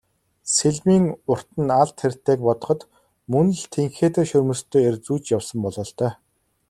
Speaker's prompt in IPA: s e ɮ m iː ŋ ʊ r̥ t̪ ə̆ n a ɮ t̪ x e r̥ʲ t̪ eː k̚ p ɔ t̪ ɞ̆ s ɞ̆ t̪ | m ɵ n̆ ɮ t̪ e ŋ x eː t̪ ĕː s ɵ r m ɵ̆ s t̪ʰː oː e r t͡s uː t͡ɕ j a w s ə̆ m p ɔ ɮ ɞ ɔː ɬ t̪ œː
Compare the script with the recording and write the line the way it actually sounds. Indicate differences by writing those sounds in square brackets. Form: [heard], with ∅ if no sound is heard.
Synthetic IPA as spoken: s e ɮ m iː ŋ ʊ r̥ t̪ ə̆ n a ɮ t̪ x e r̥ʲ t̪ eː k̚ p ɔ t̪ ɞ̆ [χ] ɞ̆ t̪ | m ɵ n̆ ɮ [t̪ʰ] e ŋ x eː t̪ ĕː [ʃ] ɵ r m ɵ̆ s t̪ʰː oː e r t͡s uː t͡ɕ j a w s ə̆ m p ɔ ɮ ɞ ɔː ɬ t̪ œː

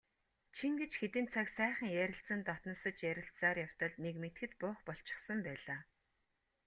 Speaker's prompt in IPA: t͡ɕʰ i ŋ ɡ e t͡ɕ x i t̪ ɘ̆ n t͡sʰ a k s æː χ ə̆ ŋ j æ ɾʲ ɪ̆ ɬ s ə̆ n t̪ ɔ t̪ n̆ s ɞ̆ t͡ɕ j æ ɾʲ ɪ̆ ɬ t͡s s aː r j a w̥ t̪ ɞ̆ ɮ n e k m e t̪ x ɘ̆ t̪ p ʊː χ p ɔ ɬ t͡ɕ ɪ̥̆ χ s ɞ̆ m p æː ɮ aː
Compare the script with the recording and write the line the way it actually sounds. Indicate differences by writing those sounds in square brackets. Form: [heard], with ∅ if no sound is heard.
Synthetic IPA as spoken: t͡ɕʰ i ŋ ɡ e t͡ɕ x [e] t̪ ɘ̆ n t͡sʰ a k s æː χ ə̆ ŋ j æ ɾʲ ɪ̆ ɬ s ə̆ n t̪ ɔ t̪ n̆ s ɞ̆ t͡ɕ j æ ɾʲ ɪ̆ ɬ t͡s s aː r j a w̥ t̪ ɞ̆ ɮ n e k m e t̪ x ɘ̆ t̪ p ʊː χ p ɔ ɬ t͡ɕ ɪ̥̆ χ s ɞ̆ m p æː ɮ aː

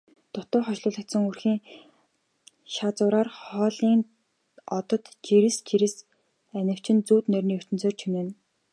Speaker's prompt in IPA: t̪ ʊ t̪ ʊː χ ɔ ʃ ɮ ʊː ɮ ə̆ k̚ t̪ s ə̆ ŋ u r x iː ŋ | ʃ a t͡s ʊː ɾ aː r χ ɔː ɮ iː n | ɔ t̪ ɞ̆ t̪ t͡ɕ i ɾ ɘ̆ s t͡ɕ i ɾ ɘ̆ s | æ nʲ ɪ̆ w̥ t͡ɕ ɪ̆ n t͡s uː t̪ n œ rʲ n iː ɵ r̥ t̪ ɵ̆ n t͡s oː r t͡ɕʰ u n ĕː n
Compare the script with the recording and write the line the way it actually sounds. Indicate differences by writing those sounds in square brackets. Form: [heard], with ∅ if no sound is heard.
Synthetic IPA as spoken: t̪ ʊ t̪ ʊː χ ɔ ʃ ɮ ʊː ɮ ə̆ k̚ t̪ s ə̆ ŋ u r x iː ŋ | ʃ a t͡s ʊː ɾ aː r χ ɔː ɮ iː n | ɔ t̪ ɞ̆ t̪ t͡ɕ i ɾ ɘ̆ s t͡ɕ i ɾ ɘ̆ s | æ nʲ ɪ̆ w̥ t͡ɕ ɪ̆ n t͡s uː t̪ n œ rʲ n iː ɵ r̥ t̪ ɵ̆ n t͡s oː r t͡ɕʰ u n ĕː n

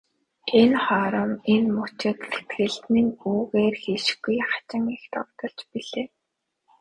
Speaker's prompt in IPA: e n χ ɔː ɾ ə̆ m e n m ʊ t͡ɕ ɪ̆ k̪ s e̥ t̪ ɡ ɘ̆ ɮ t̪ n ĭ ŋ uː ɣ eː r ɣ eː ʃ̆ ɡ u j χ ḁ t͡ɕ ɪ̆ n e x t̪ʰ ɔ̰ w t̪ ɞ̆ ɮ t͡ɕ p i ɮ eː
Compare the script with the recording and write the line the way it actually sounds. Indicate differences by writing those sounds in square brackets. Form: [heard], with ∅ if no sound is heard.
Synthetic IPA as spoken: e n χ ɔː ɾ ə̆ m e n m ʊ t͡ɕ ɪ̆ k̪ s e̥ t̪ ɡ ɘ̆ ɮ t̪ n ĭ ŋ uː ɣ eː r [x] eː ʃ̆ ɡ u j χ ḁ t͡ɕ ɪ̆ [ŋ] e x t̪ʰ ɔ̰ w t̪ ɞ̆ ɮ t͡ɕ p i ɮ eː

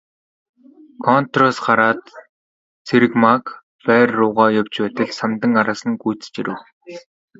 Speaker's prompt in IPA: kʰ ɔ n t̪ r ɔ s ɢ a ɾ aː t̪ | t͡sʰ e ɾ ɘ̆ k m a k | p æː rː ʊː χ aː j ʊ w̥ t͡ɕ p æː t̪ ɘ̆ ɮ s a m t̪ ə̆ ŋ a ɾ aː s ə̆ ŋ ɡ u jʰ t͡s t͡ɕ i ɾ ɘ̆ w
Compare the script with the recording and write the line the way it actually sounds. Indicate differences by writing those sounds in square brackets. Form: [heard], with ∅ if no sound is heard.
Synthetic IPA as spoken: kʰ ɔ n t̪ r ɔ s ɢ a ɾ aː t̪ | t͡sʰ e ɾ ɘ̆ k m a k | p æː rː ʊː [ʁ] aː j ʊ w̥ t͡ɕ p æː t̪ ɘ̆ ɮ s a m t̪ ə̆ ŋ a ɾ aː s ə̆ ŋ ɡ u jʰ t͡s t͡ɕ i ɾ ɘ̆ w

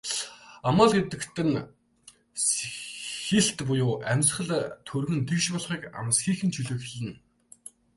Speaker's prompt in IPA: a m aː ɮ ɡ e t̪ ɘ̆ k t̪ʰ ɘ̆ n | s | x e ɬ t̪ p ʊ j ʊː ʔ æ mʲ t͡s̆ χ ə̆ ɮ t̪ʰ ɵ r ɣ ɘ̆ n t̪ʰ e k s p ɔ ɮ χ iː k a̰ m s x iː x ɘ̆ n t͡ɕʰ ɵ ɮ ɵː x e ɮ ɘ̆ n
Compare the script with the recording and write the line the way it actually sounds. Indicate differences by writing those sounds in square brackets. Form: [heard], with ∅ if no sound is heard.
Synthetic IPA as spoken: a m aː ɮ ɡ e t̪ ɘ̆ k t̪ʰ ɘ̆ n | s | x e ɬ t̪ p ʊ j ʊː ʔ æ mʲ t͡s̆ χ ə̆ ɮ t̪ʰ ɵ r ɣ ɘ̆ n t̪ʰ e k [ʃ] p ɔ ɮ χ iː k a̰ m s x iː x ɘ̆ n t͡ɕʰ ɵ ɮ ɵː x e ɮ ɘ̆ n

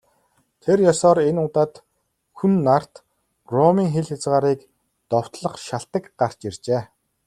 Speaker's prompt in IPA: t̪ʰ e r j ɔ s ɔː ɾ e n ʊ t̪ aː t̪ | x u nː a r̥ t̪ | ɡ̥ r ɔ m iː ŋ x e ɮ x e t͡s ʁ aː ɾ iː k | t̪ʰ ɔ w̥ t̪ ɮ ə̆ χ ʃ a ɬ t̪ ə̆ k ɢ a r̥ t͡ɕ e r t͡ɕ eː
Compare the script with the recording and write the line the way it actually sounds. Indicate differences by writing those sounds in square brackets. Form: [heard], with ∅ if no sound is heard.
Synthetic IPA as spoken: t̪ʰ e r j ɔ s ɔː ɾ e n ʊ t̪ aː t̪ | x u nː a r̥ t̪ | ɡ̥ r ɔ m iː ŋ x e ɮ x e t͡s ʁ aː ɾ iː k | [t̪] ɔ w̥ t̪ ɮ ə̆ χ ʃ a ɬ t̪ ə̆ k ɢ a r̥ t͡ɕ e r t͡ɕ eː

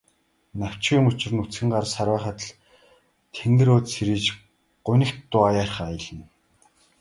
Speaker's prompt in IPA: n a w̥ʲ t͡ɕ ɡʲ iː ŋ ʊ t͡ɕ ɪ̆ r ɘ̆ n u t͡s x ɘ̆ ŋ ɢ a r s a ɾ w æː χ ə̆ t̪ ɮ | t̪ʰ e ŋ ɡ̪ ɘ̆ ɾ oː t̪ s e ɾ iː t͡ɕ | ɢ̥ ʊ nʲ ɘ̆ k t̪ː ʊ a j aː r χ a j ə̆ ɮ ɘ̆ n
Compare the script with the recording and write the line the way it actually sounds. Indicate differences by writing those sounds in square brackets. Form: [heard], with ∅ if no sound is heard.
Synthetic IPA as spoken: n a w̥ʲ t͡ɕ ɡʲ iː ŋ ʊ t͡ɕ ɪ̆ r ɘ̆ n u t͡s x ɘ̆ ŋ ɢ a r s a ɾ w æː χ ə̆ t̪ ɮ | t̪ʰ e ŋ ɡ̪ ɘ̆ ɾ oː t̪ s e ɾ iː t͡ɕ | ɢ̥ ʊ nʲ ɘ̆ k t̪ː ʊ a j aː r χ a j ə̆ ɮ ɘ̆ n

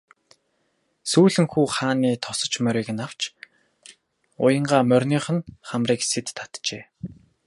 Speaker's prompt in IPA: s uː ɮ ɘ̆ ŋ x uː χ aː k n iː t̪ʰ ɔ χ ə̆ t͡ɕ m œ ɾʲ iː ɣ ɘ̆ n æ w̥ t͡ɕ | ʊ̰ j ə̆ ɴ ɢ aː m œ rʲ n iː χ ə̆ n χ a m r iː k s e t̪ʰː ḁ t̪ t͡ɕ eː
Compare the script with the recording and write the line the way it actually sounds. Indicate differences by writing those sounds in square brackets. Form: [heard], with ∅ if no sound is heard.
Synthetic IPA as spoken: s uː ɮ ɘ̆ ŋ x uː χ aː [∅] n iː t̪ʰ ɔ [s] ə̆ t͡ɕ m œ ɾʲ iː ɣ ɘ̆ n [a] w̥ t͡ɕ | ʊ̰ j ə̆ ɴ ɢ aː m œ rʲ n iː χ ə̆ n χ a m r iː k s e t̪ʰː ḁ t̪ t͡ɕ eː

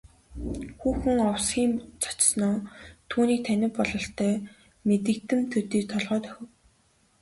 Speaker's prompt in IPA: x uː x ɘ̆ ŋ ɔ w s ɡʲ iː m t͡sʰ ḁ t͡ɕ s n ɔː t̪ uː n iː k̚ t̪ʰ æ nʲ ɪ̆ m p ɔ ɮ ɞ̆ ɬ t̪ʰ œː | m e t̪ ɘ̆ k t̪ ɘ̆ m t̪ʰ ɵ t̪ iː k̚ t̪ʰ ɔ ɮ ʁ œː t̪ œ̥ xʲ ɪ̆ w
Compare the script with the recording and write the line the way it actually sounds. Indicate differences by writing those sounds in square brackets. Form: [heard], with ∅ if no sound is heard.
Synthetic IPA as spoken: x uː x ɘ̆ ŋ ɔ w s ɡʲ iː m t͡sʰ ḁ t͡ɕ s n ɔː [t̪ʰ] uː n iː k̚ t̪ʰ æ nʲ ɪ̆ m p ɔ ɮ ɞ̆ ɬ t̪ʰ œː | m e t̪ ɘ̆ k t̪ ɘ̆ m t̪ʰ ɵ t̪ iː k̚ t̪ʰ ɔ ɮ ʁ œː t̪ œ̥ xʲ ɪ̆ w

